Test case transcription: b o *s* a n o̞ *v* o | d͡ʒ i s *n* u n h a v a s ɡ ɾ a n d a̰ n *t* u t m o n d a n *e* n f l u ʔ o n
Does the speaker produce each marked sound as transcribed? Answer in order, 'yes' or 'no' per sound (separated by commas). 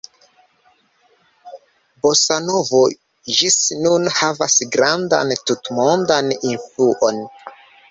yes, yes, yes, yes, no